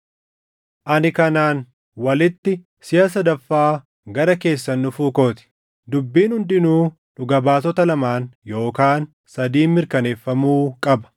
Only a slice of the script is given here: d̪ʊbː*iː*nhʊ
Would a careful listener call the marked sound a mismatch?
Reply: no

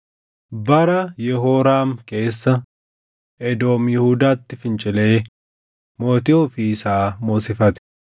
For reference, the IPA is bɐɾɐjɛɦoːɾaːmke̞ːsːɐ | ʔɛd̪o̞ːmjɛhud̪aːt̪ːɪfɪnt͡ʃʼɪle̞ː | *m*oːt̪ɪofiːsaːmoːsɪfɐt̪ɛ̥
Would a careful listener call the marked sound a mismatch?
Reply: no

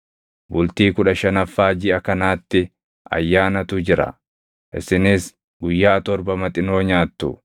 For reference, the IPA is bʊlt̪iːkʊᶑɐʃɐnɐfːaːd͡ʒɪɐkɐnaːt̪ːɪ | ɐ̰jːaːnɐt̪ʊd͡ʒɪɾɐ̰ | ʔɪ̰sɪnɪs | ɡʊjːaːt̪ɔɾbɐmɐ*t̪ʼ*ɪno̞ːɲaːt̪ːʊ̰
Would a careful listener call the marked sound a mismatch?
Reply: no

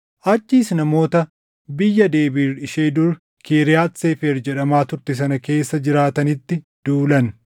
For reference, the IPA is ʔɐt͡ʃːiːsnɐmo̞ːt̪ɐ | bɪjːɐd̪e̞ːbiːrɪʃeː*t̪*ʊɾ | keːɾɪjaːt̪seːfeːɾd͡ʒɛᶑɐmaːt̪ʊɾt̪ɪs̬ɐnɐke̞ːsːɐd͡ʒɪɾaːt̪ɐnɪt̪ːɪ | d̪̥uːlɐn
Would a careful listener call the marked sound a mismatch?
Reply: yes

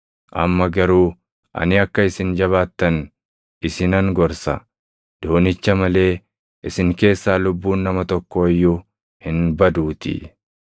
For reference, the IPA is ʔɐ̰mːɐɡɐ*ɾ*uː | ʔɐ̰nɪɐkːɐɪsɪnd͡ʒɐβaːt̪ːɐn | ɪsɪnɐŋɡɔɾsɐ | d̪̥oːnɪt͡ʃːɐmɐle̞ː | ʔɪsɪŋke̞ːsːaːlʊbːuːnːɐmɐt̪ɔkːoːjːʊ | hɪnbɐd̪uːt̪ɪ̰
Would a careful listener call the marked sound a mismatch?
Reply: no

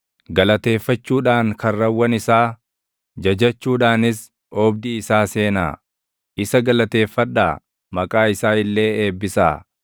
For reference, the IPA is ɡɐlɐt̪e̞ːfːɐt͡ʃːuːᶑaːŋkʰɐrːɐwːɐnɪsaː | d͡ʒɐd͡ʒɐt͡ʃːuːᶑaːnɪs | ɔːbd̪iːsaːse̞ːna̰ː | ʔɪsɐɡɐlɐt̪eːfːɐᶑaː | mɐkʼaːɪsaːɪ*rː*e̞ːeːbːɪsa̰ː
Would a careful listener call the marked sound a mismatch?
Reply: yes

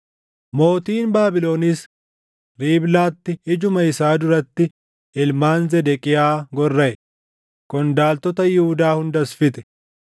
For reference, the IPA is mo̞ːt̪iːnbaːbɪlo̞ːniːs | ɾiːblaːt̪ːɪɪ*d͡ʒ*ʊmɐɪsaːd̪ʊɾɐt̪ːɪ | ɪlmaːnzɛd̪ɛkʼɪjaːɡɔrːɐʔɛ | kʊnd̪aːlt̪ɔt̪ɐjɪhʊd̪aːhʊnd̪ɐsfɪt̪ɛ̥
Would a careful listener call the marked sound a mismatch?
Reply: no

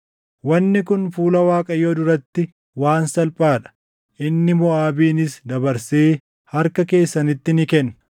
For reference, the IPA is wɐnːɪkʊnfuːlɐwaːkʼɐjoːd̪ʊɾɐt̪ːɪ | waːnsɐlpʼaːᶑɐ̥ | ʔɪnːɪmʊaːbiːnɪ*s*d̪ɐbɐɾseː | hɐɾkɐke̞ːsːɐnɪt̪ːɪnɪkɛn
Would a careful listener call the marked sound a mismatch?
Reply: no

